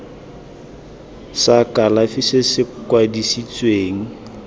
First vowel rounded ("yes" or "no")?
no